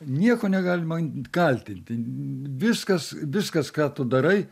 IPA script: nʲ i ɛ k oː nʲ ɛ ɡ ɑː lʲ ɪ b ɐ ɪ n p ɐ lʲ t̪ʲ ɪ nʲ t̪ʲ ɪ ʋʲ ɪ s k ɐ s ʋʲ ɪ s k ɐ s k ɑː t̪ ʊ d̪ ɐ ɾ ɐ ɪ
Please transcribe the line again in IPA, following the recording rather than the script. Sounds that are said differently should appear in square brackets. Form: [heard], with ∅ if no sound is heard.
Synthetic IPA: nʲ i ɛ k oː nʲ ɛ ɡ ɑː lʲ ɪ [m] ɐ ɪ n [k] ɐ lʲ t̪ʲ ɪ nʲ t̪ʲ ɪ ʋʲ ɪ s k ɐ s ʋʲ ɪ s k ɐ s k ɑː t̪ ʊ d̪ ɐ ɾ ɐ ɪ